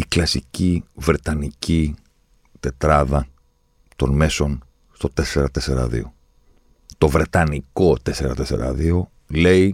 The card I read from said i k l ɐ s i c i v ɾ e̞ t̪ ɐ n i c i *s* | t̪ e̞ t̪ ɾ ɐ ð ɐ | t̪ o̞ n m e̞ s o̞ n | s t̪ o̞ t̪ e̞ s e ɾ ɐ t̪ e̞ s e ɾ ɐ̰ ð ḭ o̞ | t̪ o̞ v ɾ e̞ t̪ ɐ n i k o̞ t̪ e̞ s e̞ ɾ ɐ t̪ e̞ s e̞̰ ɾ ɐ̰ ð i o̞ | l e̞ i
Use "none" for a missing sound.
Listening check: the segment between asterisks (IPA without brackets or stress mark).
none